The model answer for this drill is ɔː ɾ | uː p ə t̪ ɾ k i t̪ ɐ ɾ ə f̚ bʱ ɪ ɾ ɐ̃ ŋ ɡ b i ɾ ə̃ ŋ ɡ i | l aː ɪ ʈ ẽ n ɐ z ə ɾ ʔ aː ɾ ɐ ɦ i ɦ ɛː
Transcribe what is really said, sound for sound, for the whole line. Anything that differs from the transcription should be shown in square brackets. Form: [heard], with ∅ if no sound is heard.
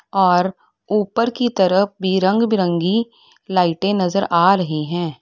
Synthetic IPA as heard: ɔː ɾ | uː p ə [∅] ɾ k i t̪ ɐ ɾ ə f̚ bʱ [i] ɾ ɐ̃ ŋ ɡ b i ɾ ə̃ ŋ ɡ i | l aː ɪ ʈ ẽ n ɐ z ə ɾ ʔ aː ɾ ɐ ɦ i ɦ [ɛ̃ː]